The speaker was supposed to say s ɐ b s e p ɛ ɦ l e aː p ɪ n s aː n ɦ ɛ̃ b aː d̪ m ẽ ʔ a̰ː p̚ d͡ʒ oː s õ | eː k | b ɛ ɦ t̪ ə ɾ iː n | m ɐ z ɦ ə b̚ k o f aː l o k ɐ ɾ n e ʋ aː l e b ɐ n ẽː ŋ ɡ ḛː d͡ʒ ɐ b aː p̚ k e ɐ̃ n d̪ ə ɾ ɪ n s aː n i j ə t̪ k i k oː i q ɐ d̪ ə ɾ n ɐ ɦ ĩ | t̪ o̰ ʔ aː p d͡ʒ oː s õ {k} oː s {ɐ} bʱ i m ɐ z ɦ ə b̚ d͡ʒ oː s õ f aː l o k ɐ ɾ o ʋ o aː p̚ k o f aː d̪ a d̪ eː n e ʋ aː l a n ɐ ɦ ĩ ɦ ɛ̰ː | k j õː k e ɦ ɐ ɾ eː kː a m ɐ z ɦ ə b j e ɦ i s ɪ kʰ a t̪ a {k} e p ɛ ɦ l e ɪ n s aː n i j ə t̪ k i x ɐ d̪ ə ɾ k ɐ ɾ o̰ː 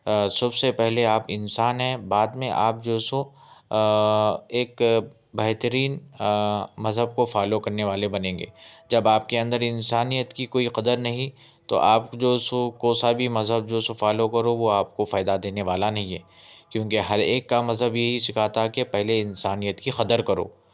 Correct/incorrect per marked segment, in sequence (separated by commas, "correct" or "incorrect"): correct, incorrect, correct